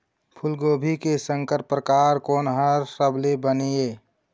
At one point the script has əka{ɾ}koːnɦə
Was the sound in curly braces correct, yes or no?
yes